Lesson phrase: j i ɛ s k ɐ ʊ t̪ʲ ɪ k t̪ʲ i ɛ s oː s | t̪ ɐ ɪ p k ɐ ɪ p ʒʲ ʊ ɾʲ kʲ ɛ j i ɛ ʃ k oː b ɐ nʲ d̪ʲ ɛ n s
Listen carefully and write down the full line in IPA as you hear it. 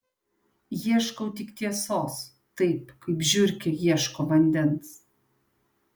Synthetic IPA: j i ɛ ʃ k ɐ ʊ t̪ʲ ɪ k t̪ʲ i ɛ s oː s | t̪ ɐ ɪ p k ɐ ɪ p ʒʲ ʊ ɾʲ kʲ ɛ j i ɛ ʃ k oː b ɐ nʲ d̪ʲ ɛ n s